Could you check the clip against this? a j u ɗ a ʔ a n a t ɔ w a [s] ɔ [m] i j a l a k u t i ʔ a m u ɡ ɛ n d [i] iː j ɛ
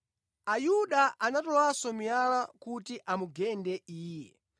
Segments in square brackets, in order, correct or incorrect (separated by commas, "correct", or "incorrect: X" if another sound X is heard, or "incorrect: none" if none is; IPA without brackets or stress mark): correct, correct, incorrect: ɛ